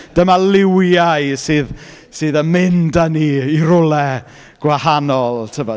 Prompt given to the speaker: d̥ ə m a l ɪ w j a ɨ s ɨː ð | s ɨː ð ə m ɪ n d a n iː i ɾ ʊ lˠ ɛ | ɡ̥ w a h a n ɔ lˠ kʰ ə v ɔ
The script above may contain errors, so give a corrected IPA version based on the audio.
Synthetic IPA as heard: d̥ ə m a l ɪ w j a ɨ s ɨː ð | s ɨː ð ə m ɪ n d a n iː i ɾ ʊ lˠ ɛ | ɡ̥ w a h a n ɔ lˠ tʰ ə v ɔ